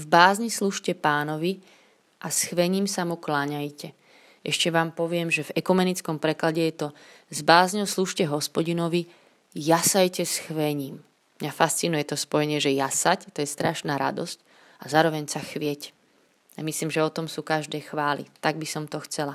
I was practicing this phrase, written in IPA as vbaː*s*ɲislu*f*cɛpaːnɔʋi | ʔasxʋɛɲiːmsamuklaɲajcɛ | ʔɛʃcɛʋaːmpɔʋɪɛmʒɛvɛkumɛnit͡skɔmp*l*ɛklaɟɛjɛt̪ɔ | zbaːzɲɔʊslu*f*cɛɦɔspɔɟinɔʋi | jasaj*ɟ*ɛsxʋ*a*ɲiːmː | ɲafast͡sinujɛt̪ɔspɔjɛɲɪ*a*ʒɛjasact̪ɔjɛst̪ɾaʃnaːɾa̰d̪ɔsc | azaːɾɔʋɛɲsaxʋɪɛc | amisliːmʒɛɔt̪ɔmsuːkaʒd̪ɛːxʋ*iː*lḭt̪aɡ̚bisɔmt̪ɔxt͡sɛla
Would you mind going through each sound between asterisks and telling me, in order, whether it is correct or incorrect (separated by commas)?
incorrect, incorrect, incorrect, incorrect, incorrect, incorrect, incorrect, incorrect